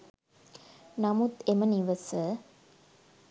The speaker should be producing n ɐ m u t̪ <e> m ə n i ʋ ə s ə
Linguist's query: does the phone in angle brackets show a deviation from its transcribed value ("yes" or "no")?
no